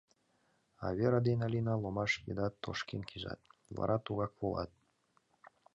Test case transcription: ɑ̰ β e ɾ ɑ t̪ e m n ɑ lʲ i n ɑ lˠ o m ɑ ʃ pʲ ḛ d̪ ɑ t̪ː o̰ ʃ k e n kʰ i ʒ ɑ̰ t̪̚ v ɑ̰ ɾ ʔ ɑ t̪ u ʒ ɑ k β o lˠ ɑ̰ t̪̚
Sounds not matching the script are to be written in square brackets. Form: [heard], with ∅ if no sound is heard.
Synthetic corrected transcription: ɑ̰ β e ɾ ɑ [d̪] e [∅] n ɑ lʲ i n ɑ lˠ o m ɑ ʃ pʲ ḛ d̪ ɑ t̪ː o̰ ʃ k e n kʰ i ʒ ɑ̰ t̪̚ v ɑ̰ ɾ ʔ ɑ t̪ u [ɣ] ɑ k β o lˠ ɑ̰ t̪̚